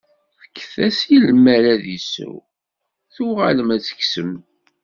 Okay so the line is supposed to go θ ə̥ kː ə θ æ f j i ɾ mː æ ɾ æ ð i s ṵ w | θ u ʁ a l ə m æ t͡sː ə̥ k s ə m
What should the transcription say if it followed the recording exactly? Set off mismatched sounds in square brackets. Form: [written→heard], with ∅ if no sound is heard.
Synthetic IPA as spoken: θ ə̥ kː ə θ æ [f→s] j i [ɾ→l] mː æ ɾ æ ð i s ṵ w | θ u ʁ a l ə m æ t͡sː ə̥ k s ə m